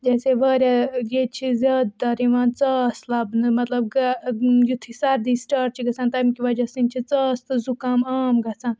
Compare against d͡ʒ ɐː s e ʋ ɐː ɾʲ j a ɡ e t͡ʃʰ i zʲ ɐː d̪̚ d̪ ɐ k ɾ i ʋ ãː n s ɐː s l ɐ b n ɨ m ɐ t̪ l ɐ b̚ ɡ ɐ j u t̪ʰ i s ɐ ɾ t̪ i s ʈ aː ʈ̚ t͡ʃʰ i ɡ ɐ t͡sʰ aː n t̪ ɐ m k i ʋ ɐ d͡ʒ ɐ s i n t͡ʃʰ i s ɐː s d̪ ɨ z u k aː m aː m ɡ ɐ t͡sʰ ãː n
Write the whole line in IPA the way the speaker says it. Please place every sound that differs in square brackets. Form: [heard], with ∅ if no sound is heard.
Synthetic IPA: d͡ʒ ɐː s e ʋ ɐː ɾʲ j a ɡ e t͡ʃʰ i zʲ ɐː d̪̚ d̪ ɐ [∅] ɾ i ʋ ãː n [t͡s] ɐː s l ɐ b n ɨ m ɐ t̪ l ɐ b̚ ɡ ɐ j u t̪ʰ i s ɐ ɾ [d̪] i s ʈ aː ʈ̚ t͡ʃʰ i ɡ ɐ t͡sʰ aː n t̪ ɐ m k i ʋ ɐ d͡ʒ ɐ s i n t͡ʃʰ i [t͡s] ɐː s [t̪] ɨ z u k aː m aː m ɡ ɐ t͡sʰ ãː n

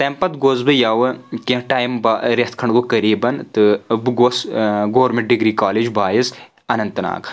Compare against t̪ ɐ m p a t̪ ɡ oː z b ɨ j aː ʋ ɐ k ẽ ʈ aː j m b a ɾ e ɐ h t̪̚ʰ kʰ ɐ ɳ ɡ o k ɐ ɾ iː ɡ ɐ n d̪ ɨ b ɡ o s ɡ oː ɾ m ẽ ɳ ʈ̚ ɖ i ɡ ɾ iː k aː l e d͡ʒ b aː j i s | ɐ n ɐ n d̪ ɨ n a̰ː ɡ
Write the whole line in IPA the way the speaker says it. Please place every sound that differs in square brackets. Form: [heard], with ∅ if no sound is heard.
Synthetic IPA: t̪ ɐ m p [ɐ] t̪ ɡ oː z b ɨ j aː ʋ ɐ k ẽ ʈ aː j m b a ɾ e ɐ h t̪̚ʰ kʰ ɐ ɳ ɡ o k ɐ ɾ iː [b] ɐ n [t̪] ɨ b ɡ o s ɡ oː ɾ m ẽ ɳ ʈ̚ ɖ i ɡ ɾ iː k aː l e d͡ʒ b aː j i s | ɐ n ɐ n [t̪] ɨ n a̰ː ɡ

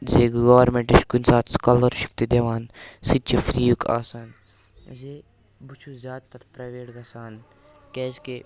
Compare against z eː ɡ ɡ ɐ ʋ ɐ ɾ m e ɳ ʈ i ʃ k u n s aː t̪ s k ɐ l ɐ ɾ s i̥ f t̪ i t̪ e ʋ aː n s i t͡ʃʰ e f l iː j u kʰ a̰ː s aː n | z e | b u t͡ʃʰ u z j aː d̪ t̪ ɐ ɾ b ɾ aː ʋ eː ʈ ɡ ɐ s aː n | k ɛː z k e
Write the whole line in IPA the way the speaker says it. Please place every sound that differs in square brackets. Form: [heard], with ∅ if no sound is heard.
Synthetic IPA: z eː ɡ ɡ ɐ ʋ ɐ ɾ m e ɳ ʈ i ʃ k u n s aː t̪ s k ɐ l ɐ ɾ [ʃ] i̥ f t̪ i [d̪] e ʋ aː n s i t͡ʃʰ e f [ɾ] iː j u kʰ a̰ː s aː n | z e | b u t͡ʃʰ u z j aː d̪ t̪ ɐ ɾ [p] ɾ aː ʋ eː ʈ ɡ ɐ s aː n | k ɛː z k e

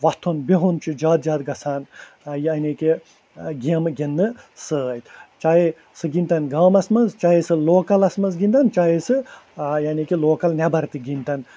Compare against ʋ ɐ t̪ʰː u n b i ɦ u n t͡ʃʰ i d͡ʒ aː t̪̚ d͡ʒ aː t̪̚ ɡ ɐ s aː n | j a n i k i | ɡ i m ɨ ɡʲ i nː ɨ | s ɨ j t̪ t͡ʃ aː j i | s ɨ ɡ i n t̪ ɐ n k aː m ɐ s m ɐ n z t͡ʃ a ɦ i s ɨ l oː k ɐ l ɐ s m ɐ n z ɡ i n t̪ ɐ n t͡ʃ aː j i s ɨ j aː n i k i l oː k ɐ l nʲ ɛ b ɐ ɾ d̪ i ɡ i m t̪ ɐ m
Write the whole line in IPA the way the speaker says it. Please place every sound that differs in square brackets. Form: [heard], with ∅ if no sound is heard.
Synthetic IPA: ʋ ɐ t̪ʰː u n b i ɦ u n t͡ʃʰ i d͡ʒ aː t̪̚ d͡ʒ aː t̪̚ ɡ ɐ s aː n | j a n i k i | ɡ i m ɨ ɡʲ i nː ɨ | s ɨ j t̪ t͡ʃ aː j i | s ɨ ɡ i n t̪ ɐ n [ɡ] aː m ɐ s m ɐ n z t͡ʃ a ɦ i s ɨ l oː k ɐ l ɐ s m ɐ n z ɡ i n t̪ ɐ n t͡ʃ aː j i s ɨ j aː n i k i l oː k ɐ l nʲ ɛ b ɐ ɾ [t̪] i ɡ i [n] t̪ ɐ [n]

